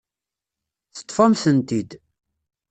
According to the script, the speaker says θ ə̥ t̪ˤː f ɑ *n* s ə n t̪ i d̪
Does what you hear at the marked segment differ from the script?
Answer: yes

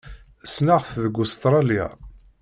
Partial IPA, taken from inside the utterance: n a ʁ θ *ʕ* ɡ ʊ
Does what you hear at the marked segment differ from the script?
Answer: yes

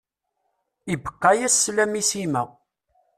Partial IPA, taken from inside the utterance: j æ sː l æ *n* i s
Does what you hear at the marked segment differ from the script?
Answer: yes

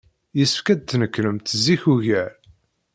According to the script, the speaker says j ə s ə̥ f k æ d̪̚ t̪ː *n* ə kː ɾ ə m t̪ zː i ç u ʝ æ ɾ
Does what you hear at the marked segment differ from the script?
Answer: no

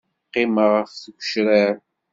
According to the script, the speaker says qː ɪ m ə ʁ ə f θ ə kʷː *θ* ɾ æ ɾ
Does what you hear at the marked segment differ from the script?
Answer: yes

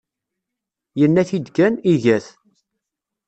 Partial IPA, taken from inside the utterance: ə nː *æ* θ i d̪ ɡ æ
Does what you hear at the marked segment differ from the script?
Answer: no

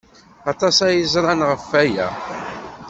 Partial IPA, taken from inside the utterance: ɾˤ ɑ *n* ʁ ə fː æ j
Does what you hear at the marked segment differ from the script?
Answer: no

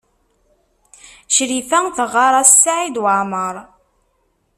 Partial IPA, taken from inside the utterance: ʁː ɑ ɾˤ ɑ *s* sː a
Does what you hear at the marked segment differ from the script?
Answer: no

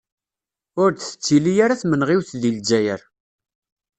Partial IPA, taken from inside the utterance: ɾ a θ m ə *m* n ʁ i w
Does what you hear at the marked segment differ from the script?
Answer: yes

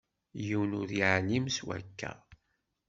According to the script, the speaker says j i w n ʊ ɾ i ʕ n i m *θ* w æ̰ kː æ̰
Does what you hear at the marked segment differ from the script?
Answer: yes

